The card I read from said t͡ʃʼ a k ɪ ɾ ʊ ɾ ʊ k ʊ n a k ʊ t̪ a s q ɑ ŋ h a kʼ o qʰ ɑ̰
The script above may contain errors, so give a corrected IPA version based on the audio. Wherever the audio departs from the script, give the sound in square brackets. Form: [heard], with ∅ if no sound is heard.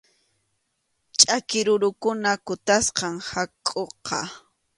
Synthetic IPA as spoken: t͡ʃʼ a k ɪ ɾ ʊ ɾ ʊ k ʊ n a k ʊ t̪ a s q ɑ ŋ h a kʼ o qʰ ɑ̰

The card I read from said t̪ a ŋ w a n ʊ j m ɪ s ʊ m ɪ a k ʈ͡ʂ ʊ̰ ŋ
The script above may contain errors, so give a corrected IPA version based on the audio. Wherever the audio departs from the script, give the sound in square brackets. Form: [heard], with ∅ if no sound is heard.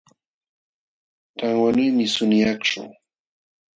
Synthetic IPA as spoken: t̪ a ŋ w a n ʊ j m ɪ s ʊ [n] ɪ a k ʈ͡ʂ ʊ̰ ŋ

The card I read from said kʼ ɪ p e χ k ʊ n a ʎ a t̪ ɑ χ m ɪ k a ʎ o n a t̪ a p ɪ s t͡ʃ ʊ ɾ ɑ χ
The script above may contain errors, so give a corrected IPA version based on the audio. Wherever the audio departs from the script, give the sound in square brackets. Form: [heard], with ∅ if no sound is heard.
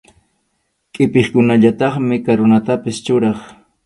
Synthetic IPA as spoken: kʼ ɪ p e χ k ʊ n a ʎ a t̪ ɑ χ m ɪ k a [ɾ] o n a t̪ a p ɪ s t͡ʃ ʊ ɾ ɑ χ

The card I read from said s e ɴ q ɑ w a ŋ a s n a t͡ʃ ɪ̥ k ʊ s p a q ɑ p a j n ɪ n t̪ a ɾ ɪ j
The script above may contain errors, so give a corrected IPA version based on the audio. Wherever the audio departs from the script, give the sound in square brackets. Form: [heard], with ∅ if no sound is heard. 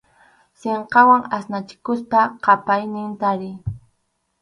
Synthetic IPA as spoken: s e ɴ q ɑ w a ŋ a s n a t͡ʃ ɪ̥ k ʊ s p a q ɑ p a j n ɪ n t̪ a ɾ ɪ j

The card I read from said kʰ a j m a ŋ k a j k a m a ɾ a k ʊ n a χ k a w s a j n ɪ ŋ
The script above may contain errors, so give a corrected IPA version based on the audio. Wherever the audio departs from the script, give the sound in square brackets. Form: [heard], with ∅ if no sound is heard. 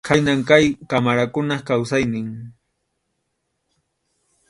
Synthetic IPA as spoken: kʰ a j [n] a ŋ k a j k a m a ɾ a k ʊ n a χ k a w s a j n ɪ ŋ

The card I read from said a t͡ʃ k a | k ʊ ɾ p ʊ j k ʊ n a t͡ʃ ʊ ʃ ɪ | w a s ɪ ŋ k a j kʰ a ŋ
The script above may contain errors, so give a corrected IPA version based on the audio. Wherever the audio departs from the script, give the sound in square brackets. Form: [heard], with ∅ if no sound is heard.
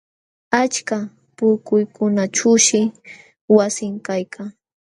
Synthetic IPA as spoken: a t͡ʃ k a | [p] ʊ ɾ [k] ʊ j k ʊ n a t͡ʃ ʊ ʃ ɪ | w a s ɪ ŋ k a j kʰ a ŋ

